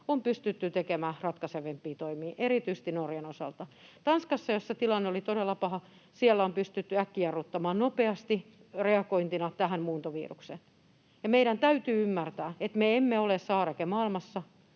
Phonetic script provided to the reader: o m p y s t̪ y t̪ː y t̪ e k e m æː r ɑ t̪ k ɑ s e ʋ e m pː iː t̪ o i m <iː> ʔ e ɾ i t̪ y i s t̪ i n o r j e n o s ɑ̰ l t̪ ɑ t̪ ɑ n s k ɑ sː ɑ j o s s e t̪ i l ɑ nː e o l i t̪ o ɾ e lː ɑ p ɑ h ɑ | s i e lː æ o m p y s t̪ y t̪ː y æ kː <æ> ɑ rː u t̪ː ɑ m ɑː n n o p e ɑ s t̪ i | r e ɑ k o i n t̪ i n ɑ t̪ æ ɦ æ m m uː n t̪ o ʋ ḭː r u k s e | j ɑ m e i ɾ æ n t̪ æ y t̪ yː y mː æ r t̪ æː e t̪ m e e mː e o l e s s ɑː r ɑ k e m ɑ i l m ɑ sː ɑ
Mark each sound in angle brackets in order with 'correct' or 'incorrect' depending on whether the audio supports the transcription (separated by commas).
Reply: correct, incorrect